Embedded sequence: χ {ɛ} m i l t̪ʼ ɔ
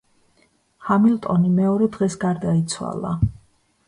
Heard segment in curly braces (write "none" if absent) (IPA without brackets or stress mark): a